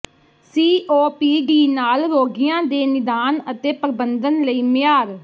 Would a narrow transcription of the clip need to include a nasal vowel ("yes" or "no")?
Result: yes